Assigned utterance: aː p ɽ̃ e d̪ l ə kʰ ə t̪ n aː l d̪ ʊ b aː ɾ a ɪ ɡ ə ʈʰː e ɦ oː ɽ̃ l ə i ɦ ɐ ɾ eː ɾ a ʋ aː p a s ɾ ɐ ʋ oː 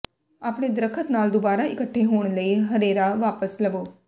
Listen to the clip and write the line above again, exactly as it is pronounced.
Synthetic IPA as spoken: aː p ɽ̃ e d̪ ɾ ə kʰ ə t̪ n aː l d̪ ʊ b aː ɾ a ɪ k ə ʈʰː e ɦ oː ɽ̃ l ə i ɦ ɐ ɾ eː ɾ a ʋ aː p ə s l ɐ ʋ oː